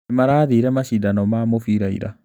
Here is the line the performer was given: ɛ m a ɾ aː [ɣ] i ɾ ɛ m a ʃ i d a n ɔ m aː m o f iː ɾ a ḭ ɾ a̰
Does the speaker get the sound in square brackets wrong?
yes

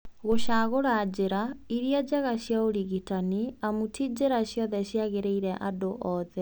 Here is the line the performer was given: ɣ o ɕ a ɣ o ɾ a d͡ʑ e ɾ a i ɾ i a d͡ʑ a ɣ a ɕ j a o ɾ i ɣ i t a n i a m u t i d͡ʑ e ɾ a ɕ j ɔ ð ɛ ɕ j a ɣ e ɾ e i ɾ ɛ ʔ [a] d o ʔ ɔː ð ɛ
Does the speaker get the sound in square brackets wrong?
no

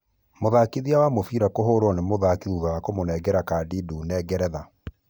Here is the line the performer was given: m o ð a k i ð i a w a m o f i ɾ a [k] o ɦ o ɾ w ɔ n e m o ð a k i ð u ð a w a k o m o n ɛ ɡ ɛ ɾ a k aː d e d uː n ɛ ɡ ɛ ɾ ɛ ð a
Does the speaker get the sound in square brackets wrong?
no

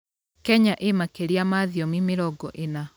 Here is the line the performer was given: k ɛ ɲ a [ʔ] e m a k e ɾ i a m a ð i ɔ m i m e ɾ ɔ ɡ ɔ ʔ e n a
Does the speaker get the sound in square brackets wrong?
no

